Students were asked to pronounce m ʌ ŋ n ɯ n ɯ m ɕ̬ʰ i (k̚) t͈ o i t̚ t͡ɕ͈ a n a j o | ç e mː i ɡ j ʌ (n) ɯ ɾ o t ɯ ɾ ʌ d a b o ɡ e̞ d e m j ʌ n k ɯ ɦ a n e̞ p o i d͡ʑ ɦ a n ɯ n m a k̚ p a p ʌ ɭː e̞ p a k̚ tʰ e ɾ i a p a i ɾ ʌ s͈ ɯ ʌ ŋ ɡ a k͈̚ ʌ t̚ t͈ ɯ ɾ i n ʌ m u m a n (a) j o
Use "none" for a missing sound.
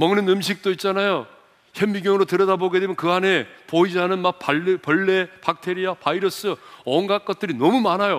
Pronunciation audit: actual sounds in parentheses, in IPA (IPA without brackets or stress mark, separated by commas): k̚, ŋ, a